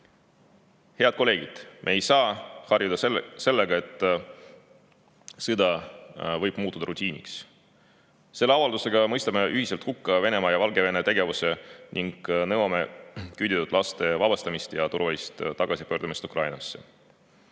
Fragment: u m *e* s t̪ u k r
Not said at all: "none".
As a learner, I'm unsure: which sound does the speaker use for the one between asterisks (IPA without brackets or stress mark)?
i